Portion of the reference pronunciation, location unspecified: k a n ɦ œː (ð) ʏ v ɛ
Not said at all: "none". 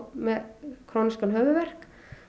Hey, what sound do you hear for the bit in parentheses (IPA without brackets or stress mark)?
v